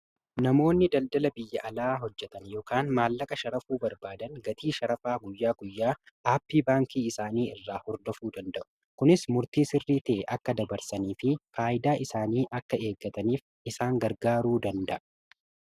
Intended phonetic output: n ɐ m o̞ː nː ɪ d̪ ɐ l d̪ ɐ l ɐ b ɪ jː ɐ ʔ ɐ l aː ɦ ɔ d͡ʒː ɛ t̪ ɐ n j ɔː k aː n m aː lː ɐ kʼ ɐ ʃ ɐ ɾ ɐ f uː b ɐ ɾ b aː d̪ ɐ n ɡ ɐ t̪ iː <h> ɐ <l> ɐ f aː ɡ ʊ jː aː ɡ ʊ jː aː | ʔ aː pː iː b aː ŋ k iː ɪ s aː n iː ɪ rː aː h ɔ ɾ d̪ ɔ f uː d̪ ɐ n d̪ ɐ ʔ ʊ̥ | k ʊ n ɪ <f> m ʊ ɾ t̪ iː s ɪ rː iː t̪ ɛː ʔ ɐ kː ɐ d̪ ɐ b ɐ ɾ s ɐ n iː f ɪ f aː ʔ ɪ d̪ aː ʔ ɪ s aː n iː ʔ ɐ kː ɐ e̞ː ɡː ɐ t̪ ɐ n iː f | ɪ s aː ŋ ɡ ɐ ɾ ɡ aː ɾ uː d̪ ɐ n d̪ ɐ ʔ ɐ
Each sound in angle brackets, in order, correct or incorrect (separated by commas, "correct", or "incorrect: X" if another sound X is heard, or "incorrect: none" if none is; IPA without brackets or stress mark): incorrect: ʃ, incorrect: ɾ, incorrect: s